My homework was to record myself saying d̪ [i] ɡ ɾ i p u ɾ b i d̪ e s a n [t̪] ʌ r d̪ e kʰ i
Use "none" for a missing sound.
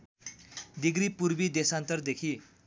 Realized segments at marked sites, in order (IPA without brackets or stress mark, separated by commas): i, t̪